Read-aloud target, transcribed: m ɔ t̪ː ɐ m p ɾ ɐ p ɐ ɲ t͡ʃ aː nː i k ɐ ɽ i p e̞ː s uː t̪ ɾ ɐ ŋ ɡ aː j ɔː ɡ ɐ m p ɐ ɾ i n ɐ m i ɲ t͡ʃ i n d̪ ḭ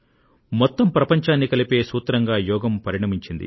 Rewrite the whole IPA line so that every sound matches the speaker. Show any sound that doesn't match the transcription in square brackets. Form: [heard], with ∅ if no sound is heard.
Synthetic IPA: m ɔ t̪ː ɐ m p ɾ ɐ p ɐ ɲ t͡ʃ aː nː i k ɐ [l] i p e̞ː s uː t̪ ɾ ɐ ŋ ɡ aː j ɔː ɡ ɐ m p ɐ ɾ i [ɳ] ɐ m i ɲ t͡ʃ i n d̪ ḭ